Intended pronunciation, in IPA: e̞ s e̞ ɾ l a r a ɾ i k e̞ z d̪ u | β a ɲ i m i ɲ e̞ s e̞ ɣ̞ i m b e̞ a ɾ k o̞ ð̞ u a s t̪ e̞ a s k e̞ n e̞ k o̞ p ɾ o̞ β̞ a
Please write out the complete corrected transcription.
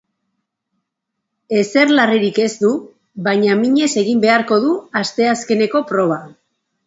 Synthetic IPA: e̞ s e̞ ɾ l a r i ɾ i k e̞ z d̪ u | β a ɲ a m i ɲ e̞ s e̞ ɣ̞ i m b e̞ a ɾ k o̞ ð̞ u a s t̪ e̞ a s k e̞ n e̞ k o̞ p ɾ o̞ β̞ a